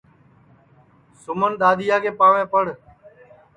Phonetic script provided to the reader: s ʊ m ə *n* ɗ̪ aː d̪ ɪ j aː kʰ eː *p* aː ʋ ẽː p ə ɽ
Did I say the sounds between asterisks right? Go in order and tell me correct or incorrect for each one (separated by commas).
correct, correct